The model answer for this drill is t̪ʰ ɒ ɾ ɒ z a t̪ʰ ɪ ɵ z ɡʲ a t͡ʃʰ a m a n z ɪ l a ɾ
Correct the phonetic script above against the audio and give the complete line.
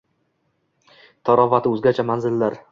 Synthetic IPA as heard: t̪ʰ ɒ ɾ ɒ v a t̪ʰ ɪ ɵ z ɡʲ a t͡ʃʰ a m a n z ɪ lː a ɾ

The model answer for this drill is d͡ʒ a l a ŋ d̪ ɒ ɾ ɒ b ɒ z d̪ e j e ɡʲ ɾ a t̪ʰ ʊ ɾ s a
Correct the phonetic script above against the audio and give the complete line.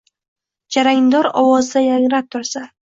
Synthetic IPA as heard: d͡ʒ a ɾ a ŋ d̪ ɒ ɾ ɒ w ɒ z d̪ a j a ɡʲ ɾ a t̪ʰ ʊ ɾ s a

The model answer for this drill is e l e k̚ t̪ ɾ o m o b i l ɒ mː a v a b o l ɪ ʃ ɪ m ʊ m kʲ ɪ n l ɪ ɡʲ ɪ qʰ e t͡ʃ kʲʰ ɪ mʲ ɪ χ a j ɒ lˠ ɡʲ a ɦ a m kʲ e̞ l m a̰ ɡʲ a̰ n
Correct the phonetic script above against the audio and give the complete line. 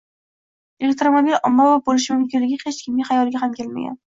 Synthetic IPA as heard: e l e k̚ t̪ ɾ o m o b i l ɒ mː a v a b o l ɪ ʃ ɪ m ʊ m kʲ ɪ n l ɪ ɡʲ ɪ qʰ e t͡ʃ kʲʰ ɪ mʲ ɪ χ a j ɒ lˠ ɡʲ a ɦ a m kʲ e̞ l m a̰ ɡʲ a̰ n

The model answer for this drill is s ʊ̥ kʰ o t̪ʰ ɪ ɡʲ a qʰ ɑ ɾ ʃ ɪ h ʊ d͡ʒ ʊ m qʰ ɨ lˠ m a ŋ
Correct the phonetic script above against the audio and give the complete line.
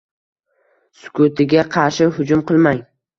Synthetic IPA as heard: s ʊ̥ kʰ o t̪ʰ ɪ ɡʲ a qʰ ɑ ɾ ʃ ɪ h ʊ d͡ʒ ʊ m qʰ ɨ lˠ m a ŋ

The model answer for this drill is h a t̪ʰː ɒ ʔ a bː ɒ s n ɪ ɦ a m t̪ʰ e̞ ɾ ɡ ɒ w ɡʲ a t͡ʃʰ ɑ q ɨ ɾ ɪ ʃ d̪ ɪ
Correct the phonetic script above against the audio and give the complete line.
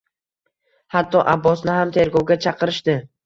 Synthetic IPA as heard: h a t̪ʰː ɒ ʔ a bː ɒ s n ɪ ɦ a m t̪ʰ e̞ ɾ ɡ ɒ w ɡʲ a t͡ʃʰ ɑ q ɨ ɾ ɪ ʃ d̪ ɪ

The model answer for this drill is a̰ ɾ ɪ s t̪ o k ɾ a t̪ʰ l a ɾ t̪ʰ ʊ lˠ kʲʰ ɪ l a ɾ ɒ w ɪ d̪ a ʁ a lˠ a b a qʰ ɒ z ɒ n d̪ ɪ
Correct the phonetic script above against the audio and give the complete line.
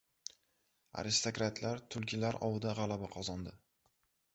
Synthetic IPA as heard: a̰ ɾ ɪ s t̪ o k ɾ a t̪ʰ l a ɾ t̪ʰ ʊ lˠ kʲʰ ɪ l a ɾ ɒ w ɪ d̪ a ʁ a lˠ a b a qʰ ɒ z ɒ n d̪ ɪ

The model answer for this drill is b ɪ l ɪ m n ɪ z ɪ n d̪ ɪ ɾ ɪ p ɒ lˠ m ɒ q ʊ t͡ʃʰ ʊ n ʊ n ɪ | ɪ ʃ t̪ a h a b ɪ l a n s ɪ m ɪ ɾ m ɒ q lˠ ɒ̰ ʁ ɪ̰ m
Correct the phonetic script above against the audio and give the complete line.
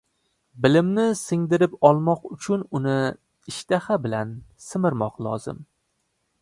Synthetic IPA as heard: b ɪ l ɪ m n ɪ s ɪ ŋ d̪ ɪ ɾ ɪ p ɒ lˠ m ɒ q ʊ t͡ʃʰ ʊ n ʊ n ɪ | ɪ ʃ t̪ a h a b ɪ l a n s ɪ m ɪ ɾ m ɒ q lˠ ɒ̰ z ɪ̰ m

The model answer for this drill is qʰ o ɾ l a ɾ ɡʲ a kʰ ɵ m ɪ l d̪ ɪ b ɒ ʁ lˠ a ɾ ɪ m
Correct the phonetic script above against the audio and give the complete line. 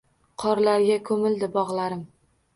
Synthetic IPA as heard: qʰ ɒ ɾ l a ɾ ɡʲ a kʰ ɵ m ɪ l d̪ ɪ b ɒ ʁ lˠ a ɾ ɪ m

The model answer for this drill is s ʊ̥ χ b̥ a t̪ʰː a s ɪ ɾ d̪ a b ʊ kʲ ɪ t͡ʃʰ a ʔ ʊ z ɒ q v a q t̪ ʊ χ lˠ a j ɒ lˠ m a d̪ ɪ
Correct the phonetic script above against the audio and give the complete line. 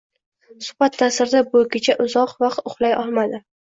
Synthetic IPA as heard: s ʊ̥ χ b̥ a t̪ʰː a s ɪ ɾ d̪ a b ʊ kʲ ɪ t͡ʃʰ a ʔ ʊ z ɒ q v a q t̪ ʊ χ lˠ a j ɒ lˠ m a d̪ ɪ

